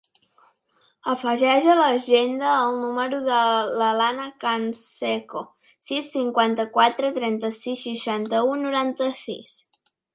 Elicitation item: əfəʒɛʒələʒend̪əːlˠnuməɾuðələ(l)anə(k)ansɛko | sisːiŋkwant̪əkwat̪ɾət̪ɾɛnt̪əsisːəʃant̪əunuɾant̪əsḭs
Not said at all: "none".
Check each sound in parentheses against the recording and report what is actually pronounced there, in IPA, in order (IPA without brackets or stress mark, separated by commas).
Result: l, k